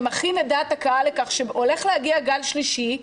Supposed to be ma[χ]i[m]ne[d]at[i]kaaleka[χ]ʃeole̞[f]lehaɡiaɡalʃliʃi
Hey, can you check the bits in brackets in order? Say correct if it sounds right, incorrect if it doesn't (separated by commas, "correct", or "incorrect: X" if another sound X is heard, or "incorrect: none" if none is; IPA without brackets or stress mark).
correct, incorrect: none, correct, incorrect: a, correct, incorrect: χ